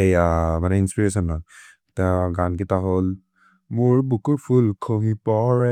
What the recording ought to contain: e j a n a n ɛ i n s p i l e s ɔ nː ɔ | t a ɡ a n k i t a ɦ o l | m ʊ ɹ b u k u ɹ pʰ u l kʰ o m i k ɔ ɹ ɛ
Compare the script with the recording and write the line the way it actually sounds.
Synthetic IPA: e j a m a n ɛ i n s p i ɹ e s ɔ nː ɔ | t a ɡ a n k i t a ɦ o l | m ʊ ɹ b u k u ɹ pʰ u l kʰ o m i p ɔ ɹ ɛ

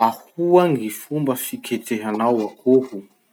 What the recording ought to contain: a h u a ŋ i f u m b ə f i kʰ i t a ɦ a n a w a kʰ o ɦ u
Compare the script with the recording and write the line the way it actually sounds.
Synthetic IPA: a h u a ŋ i f u m b ə f i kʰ e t e ɦ a n a w a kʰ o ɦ u

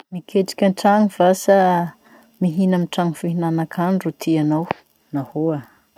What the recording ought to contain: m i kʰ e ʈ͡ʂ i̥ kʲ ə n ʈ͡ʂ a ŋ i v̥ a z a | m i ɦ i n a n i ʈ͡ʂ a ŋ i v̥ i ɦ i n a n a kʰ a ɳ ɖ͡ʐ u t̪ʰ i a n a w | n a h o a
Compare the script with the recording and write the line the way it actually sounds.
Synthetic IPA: m i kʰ e ʈ͡ʂ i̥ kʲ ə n ʈ͡ʂ a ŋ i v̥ a s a | m i ɦ i n a m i ʈ͡ʂ a ŋ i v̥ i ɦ i n a n a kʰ a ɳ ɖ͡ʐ u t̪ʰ i a n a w | n a h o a

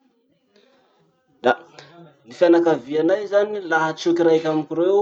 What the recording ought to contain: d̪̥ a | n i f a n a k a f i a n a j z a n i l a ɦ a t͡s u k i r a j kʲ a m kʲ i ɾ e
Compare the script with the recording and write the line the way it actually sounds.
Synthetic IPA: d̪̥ a | n i f a n a k a v i a n a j z a n i l a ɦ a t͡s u k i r a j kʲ a m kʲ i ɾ e

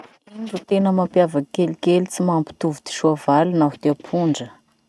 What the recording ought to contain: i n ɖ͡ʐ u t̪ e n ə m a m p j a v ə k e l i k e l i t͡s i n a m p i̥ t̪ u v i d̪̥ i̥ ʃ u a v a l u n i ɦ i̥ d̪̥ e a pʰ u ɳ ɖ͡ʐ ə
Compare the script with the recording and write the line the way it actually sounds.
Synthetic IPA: i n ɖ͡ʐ u t̪ e n ə m a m p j a v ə k e l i k e l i t͡s i m a m p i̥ t̪ u v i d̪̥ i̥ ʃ u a v a l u n a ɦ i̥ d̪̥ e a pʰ u ɳ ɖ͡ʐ ə

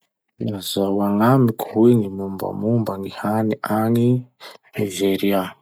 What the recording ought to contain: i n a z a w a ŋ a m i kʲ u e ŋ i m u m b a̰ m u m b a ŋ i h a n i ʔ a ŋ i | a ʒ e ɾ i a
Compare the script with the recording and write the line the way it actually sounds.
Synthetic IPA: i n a z a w a ŋ a m i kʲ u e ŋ i m u m b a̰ m u m b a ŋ i h a n i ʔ a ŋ i | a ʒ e ɾ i a

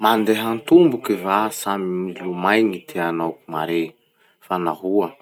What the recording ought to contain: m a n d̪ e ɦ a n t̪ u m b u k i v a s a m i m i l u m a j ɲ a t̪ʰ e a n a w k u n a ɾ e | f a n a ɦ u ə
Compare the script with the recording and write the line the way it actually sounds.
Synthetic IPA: m a n d̪ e ɦ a n t̪ u m b u k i v a s a m i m i l u m a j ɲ i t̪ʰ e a n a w k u m a ɾ e | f a n a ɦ u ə

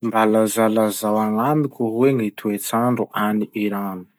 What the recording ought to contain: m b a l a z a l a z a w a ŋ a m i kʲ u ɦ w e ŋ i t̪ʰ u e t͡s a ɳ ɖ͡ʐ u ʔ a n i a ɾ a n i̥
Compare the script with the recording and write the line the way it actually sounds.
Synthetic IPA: m b a l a z a l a z a w a ŋ a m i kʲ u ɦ w e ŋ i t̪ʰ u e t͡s a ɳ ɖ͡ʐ u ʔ a n i i ɾ a n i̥

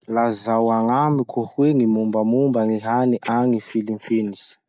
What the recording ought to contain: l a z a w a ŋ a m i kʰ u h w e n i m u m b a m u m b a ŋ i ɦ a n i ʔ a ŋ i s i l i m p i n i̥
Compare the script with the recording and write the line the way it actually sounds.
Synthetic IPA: l a z a w a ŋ a m i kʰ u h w e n i m u m b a m u m b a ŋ i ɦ a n i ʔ a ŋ i f i l i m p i n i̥

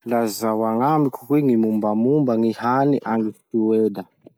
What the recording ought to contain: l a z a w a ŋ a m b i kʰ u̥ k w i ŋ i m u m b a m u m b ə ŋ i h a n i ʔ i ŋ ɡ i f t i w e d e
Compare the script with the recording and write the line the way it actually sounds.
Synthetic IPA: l a z a w a ŋ a m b i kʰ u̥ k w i ŋ i m u m b a m u m b a ŋ i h a n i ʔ a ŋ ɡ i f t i w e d a

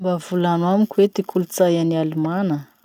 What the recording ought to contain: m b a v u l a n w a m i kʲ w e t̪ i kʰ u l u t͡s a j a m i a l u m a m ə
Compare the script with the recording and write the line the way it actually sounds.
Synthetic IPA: m b a v u l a n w a m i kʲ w e t̪ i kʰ u l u t͡s a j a n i a l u m a n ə

